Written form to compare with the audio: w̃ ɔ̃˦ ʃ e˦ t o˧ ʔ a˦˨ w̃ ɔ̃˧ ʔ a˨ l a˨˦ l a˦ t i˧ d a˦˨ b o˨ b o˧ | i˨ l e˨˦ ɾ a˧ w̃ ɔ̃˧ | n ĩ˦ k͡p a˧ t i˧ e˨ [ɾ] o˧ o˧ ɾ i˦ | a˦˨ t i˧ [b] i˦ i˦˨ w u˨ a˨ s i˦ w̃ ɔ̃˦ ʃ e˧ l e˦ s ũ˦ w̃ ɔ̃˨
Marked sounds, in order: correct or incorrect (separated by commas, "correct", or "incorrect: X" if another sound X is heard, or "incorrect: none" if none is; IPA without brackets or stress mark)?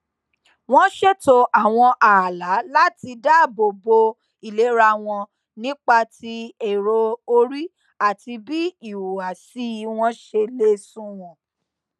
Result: correct, correct